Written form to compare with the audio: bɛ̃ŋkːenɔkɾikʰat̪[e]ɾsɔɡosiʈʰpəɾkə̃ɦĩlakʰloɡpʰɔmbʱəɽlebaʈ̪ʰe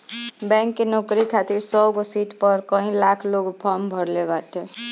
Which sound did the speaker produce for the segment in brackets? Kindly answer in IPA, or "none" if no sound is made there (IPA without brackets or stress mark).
i